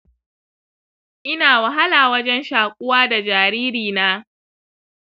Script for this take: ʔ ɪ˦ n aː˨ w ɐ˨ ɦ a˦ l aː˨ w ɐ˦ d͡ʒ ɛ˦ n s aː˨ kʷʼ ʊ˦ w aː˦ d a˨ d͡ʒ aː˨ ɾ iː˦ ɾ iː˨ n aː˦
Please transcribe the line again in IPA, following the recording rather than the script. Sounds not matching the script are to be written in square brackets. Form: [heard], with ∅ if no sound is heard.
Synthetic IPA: ʔ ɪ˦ n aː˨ w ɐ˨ ɦ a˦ l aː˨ w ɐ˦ d͡ʒ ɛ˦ n [ʃ] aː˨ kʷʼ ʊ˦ w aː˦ d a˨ d͡ʒ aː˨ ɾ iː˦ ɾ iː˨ n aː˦